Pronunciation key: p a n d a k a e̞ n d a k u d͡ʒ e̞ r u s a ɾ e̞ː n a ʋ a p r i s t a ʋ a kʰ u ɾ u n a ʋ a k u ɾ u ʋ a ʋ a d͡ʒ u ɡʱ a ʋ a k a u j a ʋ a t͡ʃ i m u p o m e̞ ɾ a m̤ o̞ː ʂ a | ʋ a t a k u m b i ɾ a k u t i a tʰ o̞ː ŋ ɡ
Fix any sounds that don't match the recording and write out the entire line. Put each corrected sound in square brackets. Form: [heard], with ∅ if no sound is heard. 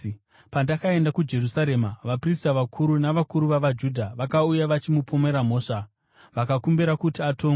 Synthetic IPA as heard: p a n d a k a e̞ n d a k u d͡ʒ e̞ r u s a ɾ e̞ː [m] a ʋ a p r i s t a ʋ a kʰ u ɾ u n a ʋ a k u ɾ u ʋ a ʋ a d͡ʒ u [dʱ] a ʋ a k a u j a ʋ a t͡ʃ i m u p o m e̞ ɾ a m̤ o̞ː ʂ a | ʋ a [k] a k u m b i ɾ a k u t i a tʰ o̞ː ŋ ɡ